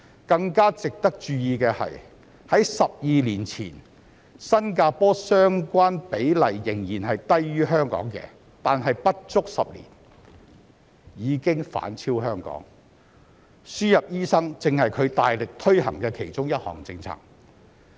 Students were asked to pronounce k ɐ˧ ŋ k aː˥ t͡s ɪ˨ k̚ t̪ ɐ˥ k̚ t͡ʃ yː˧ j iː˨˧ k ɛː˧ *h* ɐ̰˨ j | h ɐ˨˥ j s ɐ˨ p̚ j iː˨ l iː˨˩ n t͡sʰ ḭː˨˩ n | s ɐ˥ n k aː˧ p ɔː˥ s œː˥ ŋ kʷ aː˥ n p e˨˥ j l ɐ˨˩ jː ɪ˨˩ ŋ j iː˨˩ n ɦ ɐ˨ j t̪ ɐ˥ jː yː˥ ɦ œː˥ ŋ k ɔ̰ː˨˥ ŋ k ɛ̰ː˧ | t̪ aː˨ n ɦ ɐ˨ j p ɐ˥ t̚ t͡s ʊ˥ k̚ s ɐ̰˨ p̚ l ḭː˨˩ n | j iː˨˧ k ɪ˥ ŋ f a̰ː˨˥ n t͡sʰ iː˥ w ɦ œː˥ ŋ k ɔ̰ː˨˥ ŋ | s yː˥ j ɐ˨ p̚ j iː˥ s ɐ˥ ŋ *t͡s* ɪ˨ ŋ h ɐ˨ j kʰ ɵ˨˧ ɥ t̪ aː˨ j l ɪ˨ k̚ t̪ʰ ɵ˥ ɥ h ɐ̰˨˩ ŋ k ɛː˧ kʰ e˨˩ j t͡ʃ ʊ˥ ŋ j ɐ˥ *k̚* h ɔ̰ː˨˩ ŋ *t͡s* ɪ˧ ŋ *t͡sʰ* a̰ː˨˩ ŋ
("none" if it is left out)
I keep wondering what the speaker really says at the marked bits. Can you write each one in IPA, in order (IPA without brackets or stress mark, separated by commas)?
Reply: h, t͡s, t̚, t͡s, t͡sʰ